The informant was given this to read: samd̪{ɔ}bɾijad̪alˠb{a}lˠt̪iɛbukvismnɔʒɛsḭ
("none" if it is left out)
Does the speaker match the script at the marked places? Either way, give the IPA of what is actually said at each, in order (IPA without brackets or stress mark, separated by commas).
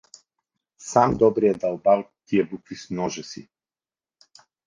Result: ɔ, a